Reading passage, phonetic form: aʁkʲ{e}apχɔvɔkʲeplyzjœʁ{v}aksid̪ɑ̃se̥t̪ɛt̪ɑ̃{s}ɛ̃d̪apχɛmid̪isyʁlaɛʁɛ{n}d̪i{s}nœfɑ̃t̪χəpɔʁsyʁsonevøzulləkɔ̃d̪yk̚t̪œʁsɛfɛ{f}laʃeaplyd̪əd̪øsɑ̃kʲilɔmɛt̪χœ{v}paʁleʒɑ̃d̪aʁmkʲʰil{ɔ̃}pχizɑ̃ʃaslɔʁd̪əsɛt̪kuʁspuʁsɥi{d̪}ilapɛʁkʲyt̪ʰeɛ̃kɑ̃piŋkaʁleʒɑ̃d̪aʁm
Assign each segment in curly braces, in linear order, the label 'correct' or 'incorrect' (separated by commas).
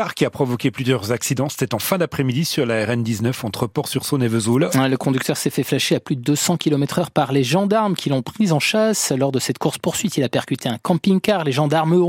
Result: incorrect, incorrect, incorrect, correct, incorrect, correct, incorrect, correct, incorrect